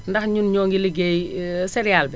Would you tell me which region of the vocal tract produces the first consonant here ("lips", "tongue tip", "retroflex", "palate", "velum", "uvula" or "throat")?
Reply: tongue tip